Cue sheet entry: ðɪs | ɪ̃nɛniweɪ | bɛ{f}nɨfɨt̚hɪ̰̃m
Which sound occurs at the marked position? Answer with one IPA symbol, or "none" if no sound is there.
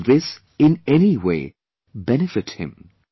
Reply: none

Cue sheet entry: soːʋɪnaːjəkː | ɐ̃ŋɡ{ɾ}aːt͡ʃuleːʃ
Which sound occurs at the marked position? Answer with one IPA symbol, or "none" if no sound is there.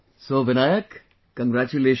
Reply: ɾ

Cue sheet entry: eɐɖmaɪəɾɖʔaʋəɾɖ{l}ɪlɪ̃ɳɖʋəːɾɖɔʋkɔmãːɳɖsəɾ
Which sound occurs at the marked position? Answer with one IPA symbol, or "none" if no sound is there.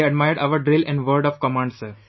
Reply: ɾ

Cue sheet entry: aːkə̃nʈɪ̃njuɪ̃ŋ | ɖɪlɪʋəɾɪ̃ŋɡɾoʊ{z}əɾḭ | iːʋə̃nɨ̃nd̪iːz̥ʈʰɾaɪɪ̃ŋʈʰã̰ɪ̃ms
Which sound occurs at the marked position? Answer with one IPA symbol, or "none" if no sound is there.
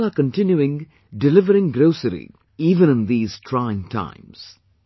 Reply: s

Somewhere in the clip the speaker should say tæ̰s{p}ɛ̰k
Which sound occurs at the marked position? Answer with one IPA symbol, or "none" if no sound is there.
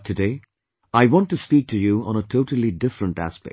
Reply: p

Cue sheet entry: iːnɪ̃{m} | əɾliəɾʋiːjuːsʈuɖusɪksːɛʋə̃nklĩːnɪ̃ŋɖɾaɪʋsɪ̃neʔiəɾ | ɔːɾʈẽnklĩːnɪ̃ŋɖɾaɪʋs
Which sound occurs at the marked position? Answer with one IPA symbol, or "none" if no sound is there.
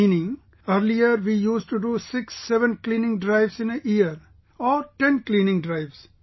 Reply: ŋ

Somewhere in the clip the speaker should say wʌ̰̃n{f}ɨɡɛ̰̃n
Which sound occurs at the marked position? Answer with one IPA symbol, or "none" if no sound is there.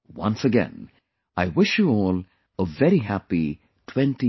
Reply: s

